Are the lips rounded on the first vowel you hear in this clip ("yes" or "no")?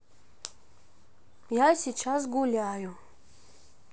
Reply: no